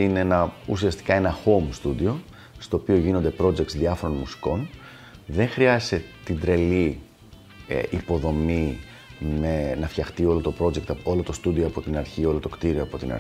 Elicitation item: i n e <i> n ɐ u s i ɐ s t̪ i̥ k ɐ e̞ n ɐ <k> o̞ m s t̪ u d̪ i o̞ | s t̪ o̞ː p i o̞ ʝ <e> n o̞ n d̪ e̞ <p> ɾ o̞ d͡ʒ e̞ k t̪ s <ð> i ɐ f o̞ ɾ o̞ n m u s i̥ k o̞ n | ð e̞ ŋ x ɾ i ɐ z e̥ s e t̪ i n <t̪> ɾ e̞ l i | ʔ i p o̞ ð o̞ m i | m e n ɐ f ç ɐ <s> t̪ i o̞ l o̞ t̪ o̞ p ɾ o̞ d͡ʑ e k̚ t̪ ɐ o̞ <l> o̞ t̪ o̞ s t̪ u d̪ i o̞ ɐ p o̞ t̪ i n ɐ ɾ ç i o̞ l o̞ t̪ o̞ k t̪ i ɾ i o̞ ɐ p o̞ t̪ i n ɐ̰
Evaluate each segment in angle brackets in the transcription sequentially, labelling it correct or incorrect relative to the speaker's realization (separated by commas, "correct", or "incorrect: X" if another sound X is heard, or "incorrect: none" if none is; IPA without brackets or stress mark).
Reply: incorrect: e, incorrect: x, incorrect: i, correct, correct, incorrect: d̪, incorrect: x, correct